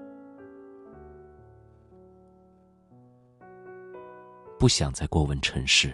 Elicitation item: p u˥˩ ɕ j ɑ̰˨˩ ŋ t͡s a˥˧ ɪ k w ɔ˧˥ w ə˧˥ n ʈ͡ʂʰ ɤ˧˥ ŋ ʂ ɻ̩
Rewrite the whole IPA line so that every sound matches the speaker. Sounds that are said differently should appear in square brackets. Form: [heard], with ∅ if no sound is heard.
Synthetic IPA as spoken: p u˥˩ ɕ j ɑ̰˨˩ ŋ t͡s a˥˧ ɪ k w [ɔ˥˩] w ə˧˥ n ʈ͡ʂʰ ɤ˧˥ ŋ ʂ ɻ̩